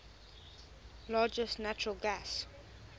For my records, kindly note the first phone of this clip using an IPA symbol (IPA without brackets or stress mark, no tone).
l